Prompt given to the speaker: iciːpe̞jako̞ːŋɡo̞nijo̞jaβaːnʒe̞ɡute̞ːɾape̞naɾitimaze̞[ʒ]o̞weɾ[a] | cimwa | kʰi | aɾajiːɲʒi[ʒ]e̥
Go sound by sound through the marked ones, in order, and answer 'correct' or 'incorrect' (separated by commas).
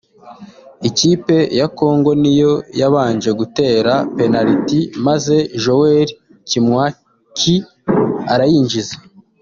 correct, incorrect, incorrect